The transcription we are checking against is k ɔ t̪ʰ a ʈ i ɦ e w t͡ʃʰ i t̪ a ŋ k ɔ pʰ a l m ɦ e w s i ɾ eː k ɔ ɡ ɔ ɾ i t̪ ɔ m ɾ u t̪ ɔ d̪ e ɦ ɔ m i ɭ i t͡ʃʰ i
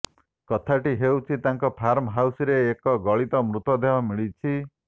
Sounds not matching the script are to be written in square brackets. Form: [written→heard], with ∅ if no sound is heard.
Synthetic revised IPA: k ɔ t̪ʰ a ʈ i ɦ e w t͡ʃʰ i t̪ a ŋ k ɔ pʰ a [l→ɾ] m ɦ [e→a] w s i ɾ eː k ɔ ɡ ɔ [ɾ→ɭ] i t̪ ɔ m ɾ u t̪ ɔ d̪ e ɦ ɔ m i ɭ i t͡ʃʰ i